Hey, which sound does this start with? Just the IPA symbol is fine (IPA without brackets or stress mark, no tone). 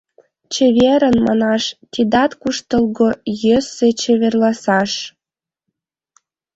t͡ɕ